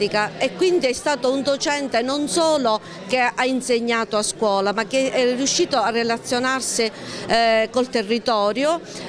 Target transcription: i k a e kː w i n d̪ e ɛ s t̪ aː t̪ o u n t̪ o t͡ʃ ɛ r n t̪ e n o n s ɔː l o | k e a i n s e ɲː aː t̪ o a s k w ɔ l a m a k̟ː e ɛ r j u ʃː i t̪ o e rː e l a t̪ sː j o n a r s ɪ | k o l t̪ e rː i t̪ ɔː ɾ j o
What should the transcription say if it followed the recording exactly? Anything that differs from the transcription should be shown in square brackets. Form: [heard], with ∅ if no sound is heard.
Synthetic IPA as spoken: i k a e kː w i n d̪ [i] ɛ s t̪ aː t̪ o u n [d̪] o t͡ʃ ɛ [∅] n t̪ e n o n s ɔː l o | k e a i n s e ɲː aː t̪ o a s k w [ɔː] l a m a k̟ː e ɛ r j u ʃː [iː] t̪ o [a] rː e l a t̪ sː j o n a r s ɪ | k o l t̪ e rː i t̪ ɔː ɾ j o